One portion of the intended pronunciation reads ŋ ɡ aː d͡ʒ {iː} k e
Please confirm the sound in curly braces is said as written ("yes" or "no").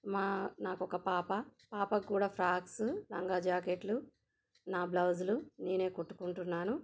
no